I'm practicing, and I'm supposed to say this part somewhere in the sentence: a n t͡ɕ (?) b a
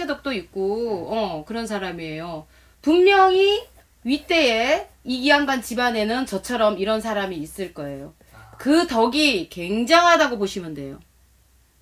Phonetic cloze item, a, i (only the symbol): i